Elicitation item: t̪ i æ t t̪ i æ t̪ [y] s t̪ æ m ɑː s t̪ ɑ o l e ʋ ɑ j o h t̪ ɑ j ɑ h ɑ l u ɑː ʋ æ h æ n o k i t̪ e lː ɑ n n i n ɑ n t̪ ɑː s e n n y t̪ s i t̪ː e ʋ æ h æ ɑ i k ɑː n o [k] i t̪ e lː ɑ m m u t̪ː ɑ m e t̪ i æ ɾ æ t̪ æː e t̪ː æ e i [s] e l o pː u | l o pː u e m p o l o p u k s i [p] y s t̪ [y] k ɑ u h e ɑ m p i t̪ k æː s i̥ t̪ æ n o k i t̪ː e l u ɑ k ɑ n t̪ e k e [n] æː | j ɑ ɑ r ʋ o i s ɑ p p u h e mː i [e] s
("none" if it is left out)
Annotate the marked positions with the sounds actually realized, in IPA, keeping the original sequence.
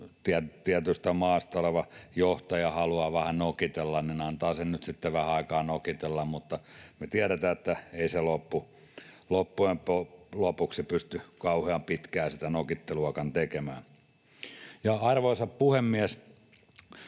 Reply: y, k, s, p, y, m, æ

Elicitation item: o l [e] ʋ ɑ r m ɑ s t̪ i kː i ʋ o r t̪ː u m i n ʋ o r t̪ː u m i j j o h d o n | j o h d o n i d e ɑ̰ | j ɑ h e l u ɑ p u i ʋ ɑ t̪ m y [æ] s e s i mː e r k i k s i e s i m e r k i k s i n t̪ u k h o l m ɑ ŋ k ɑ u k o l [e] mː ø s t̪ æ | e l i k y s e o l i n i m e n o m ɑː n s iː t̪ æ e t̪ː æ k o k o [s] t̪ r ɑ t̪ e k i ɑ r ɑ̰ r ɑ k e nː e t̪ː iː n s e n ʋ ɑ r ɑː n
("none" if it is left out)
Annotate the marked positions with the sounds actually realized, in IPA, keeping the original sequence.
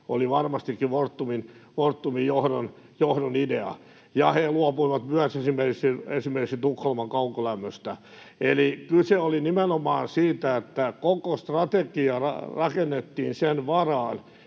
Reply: i, æ, æ, s

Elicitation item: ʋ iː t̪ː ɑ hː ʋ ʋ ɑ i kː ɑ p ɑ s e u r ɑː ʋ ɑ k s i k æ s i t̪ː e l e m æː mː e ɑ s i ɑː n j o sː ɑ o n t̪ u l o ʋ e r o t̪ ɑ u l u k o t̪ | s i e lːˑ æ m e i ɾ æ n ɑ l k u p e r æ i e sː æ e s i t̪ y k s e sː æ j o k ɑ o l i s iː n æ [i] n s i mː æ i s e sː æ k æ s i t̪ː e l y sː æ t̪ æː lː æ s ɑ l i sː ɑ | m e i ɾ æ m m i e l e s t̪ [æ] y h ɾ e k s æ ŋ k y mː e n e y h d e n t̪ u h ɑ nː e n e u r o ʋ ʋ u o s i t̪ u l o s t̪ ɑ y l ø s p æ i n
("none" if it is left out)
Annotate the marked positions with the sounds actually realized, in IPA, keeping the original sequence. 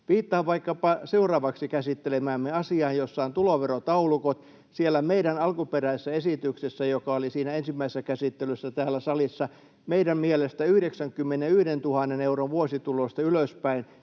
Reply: e, æ

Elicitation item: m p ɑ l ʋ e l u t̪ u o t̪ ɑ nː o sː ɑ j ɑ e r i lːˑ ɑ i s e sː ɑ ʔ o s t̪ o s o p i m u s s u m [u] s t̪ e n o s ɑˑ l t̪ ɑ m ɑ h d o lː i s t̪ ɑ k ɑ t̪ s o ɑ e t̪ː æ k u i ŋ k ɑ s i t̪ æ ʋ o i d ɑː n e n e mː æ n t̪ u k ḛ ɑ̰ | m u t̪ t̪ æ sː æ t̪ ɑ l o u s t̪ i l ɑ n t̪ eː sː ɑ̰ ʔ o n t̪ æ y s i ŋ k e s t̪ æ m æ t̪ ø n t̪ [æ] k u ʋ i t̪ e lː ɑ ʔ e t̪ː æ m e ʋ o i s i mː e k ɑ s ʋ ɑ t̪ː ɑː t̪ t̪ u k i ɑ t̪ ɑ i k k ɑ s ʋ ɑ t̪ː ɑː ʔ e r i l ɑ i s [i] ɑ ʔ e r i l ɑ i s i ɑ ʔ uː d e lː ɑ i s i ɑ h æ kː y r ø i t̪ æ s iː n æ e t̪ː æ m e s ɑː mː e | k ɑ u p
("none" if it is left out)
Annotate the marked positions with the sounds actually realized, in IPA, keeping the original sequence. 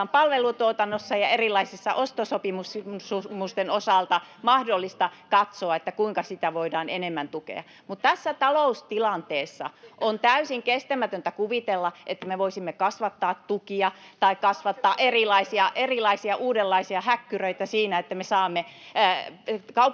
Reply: u, æ, i

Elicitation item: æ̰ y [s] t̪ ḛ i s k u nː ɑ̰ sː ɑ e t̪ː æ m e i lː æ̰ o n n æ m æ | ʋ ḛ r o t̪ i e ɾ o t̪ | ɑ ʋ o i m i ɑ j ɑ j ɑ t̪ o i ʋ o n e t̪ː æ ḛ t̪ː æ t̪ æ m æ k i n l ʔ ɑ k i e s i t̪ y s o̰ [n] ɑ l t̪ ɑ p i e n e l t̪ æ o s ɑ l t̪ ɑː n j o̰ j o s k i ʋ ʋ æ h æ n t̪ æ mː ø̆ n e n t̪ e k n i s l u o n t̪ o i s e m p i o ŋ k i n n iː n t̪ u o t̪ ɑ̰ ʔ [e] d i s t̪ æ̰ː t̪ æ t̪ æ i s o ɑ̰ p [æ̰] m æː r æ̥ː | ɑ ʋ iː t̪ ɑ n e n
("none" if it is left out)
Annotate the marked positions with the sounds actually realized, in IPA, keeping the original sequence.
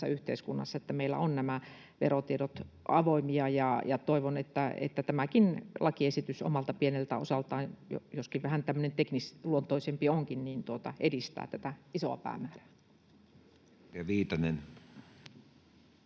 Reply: h, m, e, æ̰ː

